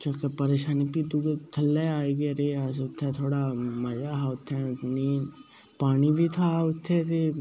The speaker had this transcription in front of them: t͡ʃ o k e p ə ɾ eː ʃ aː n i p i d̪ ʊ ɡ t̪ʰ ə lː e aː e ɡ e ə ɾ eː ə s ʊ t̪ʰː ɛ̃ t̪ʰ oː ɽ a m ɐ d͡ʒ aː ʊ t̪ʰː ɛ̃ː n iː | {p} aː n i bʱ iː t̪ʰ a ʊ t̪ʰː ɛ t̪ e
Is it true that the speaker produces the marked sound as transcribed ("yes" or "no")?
yes